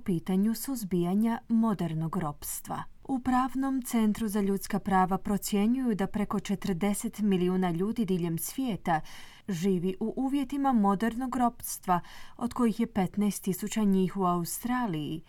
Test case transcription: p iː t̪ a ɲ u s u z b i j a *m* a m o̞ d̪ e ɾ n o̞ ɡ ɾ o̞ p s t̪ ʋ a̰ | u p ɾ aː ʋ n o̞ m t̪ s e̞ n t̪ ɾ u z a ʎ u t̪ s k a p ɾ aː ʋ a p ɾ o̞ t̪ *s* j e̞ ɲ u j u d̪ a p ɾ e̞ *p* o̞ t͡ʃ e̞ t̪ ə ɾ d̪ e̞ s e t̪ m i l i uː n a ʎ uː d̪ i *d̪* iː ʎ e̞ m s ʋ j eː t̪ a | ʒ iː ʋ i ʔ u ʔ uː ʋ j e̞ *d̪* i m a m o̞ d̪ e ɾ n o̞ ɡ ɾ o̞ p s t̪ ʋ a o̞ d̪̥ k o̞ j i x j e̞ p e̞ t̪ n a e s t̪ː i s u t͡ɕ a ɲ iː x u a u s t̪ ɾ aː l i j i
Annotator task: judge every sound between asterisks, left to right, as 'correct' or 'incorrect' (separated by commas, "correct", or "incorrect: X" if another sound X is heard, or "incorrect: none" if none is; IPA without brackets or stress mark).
incorrect: ɲ, correct, incorrect: k, correct, incorrect: t̪